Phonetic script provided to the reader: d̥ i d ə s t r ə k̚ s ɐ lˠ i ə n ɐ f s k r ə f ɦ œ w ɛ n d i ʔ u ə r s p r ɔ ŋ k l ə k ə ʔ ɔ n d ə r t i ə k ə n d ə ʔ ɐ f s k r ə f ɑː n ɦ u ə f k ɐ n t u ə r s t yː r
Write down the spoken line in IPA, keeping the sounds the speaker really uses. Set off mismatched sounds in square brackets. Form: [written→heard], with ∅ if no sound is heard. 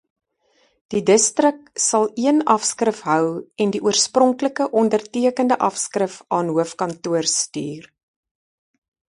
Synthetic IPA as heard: d̥ i d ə s t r ə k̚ s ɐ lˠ i ə n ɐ f s k r ə f ɦ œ w ɛ n d i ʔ u ə r s p r ɔ ŋ k l ə k ə ʔ ɔ n d ə r t i ə k ə n d ə ʔ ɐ f s k r ə f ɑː n ɦ u ə f k ɐ n t u ə r s t yː r